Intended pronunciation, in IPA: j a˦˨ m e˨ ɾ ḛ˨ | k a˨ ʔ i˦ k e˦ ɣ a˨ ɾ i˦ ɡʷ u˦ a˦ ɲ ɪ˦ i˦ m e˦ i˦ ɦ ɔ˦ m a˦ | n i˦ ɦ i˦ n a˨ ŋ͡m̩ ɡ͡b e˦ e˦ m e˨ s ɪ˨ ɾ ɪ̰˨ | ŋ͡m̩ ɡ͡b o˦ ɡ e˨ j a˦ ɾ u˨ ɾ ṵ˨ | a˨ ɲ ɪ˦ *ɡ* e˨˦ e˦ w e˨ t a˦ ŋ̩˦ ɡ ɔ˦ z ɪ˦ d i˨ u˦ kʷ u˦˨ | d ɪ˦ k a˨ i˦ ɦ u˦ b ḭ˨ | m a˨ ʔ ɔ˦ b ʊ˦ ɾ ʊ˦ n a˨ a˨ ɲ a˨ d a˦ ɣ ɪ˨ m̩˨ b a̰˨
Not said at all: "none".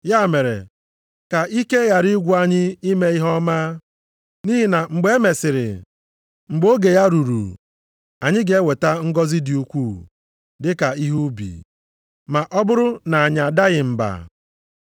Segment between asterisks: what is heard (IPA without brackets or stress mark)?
ɡ